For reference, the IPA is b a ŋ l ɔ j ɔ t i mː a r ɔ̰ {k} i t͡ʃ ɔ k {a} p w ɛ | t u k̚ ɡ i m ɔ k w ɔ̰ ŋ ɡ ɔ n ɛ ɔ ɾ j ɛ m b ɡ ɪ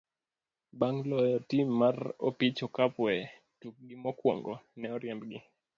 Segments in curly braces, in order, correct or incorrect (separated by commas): incorrect, correct